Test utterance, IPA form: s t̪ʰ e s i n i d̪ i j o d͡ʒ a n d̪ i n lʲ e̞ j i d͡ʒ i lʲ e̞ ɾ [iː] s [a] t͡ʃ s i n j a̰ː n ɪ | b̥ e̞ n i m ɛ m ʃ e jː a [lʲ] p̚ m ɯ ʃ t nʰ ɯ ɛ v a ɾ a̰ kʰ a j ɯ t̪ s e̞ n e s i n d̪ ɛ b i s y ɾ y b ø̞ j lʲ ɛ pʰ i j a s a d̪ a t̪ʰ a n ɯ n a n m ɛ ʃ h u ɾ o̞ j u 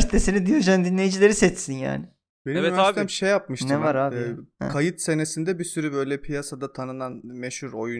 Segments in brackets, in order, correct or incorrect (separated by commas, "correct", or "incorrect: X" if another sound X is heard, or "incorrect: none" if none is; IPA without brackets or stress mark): incorrect: i, incorrect: ɛ, incorrect: none